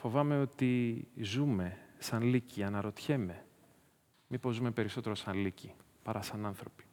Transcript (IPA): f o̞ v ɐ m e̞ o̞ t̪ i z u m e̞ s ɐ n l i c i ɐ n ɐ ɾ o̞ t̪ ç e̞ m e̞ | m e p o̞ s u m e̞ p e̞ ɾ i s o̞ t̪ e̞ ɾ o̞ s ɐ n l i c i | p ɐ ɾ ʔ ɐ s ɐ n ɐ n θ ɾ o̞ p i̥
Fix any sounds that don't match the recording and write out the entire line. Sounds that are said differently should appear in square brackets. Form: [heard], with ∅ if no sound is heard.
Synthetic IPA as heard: f o̞ v ɐ m e̞ o̞ t̪ i z u m e̞ s ɐ n l i c i ɐ n ɐ ɾ o̞ t̪ ç e̞ m e̞ | m [i] p o̞ [z] u m e̞ p e̞ ɾ i s o̞ t̪ e̞ ɾ o̞ s ɐ n l i c i | p ɐ ɾ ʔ ɐ s ɐ n ɐ n θ ɾ o̞ p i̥